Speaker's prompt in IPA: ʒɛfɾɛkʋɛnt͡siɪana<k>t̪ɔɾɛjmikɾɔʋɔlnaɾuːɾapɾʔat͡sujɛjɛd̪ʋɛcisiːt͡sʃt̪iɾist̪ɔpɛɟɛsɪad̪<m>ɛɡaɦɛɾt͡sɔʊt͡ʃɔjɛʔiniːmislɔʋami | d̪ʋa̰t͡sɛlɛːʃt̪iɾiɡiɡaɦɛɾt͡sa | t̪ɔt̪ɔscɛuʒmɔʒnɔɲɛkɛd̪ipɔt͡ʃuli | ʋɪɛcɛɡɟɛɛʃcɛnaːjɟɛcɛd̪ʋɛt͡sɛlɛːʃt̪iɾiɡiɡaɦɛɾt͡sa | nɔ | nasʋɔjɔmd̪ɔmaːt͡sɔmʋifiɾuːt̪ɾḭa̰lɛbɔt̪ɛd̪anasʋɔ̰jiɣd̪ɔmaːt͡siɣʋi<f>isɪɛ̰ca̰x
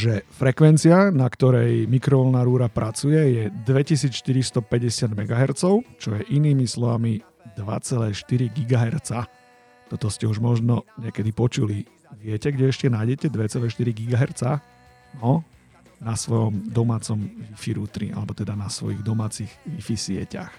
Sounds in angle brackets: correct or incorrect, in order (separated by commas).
correct, correct, correct